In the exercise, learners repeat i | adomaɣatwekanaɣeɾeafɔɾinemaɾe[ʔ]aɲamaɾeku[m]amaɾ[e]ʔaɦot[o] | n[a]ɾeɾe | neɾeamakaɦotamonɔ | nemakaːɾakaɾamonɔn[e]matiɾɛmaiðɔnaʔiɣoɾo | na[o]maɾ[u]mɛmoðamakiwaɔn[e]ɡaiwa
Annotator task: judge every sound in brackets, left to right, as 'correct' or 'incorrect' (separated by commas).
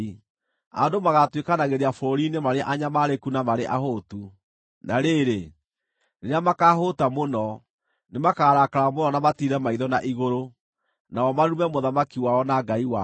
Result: correct, incorrect, correct, incorrect, correct, incorrect, incorrect, correct, incorrect